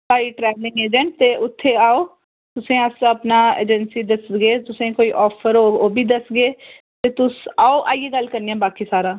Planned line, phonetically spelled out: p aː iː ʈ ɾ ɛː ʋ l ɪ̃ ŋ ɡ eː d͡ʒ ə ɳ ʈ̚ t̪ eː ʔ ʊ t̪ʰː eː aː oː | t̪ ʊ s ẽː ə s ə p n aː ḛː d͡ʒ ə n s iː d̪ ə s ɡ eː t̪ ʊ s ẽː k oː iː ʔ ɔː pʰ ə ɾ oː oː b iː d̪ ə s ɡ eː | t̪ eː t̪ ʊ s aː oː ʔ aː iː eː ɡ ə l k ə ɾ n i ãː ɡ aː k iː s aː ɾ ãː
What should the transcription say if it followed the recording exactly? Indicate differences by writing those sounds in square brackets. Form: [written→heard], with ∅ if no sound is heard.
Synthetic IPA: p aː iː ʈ ɾ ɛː ʋ l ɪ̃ ŋ ɡ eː d͡ʒ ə ɳ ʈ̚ t̪ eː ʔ ʊ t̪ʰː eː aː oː | t̪ ʊ s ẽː ə s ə p n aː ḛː d͡ʒ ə n s iː d̪ ə s ɡ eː t̪ ʊ s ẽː k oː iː ʔ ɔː pʰ ə ɾ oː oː b iː d̪ ə s ɡ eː | t̪ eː t̪ ʊ s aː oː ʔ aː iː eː ɡ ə l k ə ɾ n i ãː [ɡ→b] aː k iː s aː ɾ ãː